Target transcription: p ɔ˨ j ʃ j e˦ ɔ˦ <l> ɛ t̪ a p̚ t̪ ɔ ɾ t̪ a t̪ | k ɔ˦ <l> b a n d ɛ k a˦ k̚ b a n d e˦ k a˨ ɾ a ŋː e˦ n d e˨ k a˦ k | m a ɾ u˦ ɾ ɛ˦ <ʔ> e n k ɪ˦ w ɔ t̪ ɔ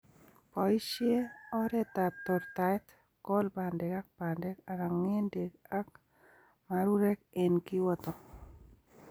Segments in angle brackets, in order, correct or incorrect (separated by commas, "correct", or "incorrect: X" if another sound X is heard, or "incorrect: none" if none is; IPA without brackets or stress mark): incorrect: ɾ, correct, incorrect: k